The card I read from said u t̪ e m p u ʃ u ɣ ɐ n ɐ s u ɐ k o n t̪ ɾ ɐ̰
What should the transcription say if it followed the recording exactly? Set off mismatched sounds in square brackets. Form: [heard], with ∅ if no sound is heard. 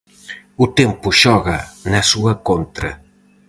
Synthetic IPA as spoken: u t̪ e m p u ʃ [ɔ] ɣ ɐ n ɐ s u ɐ k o n t̪ ɾ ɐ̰